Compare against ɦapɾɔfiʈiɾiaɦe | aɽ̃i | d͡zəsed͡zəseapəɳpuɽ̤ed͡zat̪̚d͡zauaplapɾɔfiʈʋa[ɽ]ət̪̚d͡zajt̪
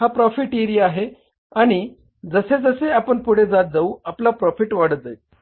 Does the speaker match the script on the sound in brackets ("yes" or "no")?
yes